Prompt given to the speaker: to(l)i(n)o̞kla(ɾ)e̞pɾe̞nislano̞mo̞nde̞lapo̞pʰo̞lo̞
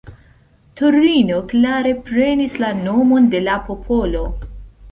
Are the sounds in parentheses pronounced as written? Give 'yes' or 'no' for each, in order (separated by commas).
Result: no, yes, yes